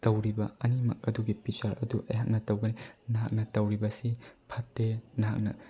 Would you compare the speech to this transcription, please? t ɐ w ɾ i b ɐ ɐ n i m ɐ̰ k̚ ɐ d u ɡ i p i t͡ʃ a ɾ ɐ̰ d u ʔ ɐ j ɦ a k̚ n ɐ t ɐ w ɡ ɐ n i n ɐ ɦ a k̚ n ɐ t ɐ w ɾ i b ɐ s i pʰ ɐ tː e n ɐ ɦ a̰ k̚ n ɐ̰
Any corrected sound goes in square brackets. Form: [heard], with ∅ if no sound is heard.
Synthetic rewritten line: t ɐ w ɾ i b ɐ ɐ n i m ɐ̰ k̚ ɐ d u ɡ i p i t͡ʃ a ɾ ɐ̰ d u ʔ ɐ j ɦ a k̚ n ɐ t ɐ w ɡ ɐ n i n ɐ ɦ a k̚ n ɐ t ɐ w ɾ i b ɐ s i pʰ ɐ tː e n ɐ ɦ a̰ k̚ n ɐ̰